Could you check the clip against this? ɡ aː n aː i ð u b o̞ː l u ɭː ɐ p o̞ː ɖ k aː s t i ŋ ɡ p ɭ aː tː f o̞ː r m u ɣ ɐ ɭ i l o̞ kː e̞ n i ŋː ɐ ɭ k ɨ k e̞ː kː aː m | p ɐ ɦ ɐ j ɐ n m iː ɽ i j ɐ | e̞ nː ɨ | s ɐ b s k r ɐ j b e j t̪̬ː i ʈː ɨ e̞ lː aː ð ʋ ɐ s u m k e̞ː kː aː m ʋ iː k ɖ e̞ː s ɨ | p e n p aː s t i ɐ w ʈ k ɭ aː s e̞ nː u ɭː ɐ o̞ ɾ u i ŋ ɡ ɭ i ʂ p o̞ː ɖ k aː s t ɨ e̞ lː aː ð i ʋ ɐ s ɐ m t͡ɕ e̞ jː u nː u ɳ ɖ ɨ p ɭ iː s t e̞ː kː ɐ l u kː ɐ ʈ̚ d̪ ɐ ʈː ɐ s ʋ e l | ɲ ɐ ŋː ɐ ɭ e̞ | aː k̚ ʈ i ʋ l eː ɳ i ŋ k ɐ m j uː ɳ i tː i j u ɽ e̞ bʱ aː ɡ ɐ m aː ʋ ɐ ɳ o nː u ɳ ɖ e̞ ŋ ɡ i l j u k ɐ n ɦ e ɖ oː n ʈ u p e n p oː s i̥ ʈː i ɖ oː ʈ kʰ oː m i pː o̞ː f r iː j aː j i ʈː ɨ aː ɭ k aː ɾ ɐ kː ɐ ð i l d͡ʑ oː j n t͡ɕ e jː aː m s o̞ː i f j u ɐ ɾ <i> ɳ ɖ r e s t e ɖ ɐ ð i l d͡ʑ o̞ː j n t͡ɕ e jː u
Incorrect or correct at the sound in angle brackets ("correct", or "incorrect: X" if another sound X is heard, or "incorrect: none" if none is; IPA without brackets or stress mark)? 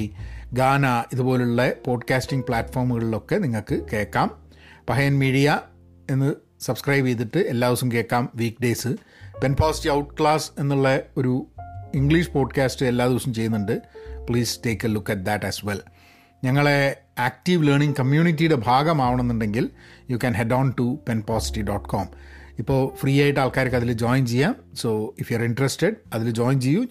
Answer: correct